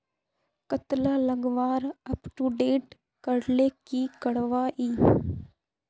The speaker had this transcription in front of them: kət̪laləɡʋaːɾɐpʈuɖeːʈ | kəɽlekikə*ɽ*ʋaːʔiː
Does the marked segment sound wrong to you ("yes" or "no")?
no